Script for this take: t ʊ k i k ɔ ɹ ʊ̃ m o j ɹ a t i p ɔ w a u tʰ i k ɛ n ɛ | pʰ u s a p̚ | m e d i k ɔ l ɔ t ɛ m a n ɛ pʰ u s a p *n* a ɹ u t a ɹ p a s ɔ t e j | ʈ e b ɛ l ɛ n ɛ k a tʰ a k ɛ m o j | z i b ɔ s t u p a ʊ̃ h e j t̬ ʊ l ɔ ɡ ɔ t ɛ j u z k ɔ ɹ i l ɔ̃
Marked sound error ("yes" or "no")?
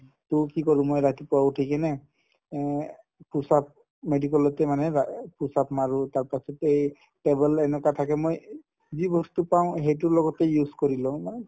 yes